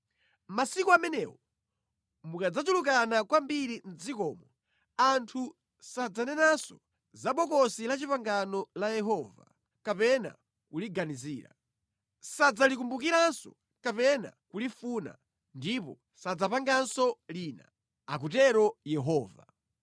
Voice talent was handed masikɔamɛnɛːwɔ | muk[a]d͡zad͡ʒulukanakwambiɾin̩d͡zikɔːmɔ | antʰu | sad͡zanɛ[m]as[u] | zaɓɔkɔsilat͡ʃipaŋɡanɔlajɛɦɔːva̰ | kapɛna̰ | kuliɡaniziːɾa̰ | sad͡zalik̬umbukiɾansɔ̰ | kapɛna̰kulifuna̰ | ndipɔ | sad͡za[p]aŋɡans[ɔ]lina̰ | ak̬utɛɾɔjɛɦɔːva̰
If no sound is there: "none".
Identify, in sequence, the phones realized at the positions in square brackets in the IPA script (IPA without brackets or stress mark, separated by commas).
a, n, ɔ, p, ɔ